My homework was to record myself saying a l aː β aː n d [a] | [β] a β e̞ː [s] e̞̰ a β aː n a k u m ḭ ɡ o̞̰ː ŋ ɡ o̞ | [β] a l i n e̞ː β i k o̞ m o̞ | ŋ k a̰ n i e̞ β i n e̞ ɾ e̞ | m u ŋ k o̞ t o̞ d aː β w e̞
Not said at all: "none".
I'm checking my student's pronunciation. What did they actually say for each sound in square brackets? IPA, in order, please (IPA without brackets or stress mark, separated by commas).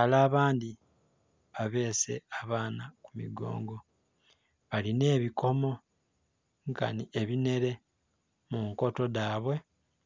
i, β, s, β